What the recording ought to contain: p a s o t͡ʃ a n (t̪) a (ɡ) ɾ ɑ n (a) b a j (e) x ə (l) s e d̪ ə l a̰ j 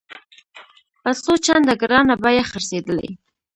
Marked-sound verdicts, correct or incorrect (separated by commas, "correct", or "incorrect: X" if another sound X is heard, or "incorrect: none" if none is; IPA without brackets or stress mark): incorrect: d̪, correct, correct, incorrect: a, incorrect: ɾ